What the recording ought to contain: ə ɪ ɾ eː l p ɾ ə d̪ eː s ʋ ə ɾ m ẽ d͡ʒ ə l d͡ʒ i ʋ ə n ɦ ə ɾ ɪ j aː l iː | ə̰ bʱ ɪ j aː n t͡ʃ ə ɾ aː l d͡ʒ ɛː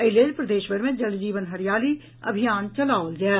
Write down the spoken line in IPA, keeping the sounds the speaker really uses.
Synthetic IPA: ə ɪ l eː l p ɾ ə d̪ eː ʃ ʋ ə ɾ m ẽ d͡ʒ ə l d͡ʒ iː ʋ ə n ɦ ə ɾ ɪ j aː l iː | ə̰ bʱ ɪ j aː n t͡ʃ ə l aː l d͡ʒ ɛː

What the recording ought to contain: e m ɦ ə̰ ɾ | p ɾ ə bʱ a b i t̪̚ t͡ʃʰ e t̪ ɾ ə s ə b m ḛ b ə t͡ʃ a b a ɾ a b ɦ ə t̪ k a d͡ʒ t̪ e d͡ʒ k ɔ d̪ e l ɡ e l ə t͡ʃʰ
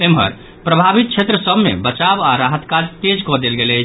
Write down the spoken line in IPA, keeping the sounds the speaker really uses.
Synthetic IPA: e m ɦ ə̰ ɾ | p ɾ ə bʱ a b i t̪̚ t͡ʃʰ e t̪ ɾ ə s ə b m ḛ b ə t͡ʃ a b a ɾ a ɦ ə t̪ k a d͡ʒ t̪ e d͡ʒ k ɔ d̪ e l ɡ e l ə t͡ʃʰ

